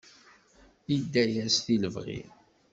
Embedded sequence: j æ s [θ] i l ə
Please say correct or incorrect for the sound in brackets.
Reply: correct